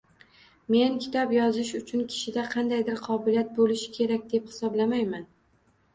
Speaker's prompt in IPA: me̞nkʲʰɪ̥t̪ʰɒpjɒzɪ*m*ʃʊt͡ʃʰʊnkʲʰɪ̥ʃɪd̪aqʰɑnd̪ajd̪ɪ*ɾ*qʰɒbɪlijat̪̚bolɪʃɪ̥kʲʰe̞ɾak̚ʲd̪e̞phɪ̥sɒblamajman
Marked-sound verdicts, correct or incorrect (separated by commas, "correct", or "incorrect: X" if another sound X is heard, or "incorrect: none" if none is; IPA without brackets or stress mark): incorrect: none, correct